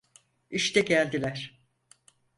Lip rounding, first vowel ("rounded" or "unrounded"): unrounded